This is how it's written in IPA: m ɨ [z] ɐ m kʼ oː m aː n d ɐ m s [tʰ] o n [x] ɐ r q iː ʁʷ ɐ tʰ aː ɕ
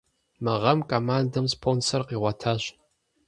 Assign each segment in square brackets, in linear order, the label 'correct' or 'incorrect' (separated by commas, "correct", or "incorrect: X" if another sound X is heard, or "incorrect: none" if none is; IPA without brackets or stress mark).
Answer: incorrect: ʁ, incorrect: pʰ, incorrect: s